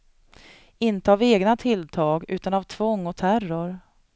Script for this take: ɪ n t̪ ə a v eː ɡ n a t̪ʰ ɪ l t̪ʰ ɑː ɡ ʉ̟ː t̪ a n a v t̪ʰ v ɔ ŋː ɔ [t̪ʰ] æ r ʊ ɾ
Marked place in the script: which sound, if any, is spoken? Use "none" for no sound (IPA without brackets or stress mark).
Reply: t̪ʰ